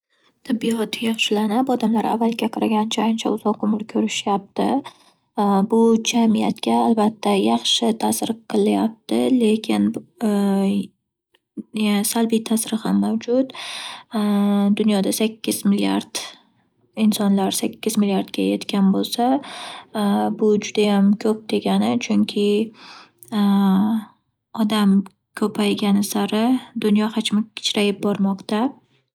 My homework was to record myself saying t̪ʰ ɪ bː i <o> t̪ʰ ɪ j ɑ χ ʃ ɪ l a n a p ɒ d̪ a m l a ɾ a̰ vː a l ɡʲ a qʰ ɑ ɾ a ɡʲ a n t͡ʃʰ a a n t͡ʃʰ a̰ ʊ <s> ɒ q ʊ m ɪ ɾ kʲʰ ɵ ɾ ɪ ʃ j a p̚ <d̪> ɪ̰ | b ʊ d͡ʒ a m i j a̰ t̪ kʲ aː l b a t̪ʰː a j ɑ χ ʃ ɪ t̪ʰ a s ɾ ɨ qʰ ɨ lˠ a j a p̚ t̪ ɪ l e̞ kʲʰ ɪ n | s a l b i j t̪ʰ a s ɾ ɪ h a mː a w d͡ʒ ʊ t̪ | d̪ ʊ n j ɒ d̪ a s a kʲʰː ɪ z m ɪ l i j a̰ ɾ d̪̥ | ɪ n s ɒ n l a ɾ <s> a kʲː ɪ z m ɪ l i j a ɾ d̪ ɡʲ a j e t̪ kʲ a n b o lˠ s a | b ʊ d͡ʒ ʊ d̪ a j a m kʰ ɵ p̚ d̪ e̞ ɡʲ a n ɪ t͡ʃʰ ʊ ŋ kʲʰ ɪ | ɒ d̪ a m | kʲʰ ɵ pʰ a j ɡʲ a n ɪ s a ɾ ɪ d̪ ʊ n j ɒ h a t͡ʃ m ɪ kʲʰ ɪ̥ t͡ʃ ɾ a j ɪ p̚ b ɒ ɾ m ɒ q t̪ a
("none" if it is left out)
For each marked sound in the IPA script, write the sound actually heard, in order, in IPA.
ɒ, z, t̪, s

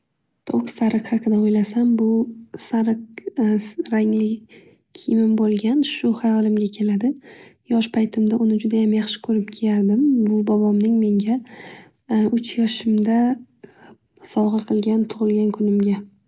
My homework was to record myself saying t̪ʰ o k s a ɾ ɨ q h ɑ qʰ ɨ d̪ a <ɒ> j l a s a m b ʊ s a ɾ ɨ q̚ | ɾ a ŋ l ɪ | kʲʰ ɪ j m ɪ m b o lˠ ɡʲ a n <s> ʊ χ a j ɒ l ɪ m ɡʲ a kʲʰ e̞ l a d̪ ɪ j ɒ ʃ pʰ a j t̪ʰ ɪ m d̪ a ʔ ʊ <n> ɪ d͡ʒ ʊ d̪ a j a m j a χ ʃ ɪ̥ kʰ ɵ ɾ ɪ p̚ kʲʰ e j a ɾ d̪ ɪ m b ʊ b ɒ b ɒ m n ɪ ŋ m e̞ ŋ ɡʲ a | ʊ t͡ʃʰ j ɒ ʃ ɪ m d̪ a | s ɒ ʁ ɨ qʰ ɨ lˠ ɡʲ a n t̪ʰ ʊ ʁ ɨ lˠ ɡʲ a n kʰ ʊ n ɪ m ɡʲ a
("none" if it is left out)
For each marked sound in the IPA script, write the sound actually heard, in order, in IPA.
o, ʃ, n

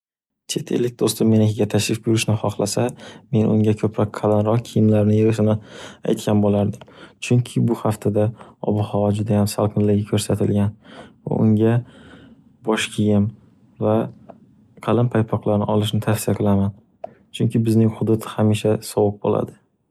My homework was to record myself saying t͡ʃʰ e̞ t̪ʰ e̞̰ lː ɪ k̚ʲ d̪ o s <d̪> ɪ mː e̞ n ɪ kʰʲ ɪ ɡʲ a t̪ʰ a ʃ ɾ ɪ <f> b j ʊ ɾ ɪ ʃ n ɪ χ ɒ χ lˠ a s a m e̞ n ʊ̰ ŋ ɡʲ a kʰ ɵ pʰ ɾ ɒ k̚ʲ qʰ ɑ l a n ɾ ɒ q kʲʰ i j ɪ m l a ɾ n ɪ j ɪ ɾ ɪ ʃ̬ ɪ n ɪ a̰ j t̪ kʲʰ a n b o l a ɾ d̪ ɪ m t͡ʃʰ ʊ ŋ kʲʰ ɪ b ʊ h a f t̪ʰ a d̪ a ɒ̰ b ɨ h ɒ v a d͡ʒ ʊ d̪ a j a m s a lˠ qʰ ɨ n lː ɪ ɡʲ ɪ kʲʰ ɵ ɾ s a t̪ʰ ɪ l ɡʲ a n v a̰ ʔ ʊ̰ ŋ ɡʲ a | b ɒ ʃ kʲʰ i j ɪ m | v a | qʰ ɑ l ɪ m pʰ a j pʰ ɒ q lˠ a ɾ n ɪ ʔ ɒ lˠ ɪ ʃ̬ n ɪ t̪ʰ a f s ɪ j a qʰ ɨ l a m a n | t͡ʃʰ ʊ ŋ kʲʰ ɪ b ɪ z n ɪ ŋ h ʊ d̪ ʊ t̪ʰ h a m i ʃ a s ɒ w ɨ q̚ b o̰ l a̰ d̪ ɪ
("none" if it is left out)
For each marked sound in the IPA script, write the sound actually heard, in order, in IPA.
t̪, f

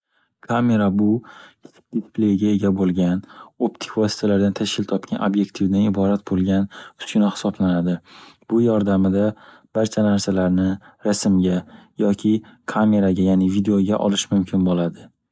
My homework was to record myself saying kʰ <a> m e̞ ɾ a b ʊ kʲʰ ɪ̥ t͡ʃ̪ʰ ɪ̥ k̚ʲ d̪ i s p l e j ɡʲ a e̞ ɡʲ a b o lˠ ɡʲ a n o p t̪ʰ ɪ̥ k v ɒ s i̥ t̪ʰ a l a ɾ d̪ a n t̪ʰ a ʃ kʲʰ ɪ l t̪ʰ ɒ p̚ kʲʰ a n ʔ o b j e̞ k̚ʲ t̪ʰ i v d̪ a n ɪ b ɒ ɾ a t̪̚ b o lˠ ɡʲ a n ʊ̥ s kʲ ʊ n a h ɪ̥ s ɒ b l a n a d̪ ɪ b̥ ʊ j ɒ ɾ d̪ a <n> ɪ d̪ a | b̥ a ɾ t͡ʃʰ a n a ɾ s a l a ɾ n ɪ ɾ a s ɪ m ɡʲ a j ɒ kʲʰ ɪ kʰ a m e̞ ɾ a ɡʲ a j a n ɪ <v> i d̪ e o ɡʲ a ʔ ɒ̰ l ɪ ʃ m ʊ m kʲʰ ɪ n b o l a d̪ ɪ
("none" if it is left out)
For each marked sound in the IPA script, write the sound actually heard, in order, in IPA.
a, m, v

